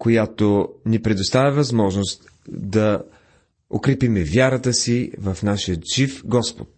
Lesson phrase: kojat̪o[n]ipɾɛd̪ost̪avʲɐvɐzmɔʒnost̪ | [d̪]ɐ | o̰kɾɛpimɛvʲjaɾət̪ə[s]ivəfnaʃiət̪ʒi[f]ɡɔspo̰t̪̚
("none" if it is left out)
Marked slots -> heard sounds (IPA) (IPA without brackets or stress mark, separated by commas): n, d̪, s, f